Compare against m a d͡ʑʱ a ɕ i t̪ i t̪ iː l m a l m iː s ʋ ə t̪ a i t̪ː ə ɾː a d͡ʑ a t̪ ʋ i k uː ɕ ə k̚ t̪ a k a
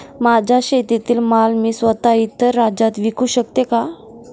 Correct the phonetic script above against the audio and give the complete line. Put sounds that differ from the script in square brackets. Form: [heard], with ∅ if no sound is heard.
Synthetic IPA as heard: m a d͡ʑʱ a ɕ [e] t̪ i t̪ iː l m a l m iː s ʋ ə t̪ a i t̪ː ə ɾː a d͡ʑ a t̪ ʋ i k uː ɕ ə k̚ t̪ [e] k a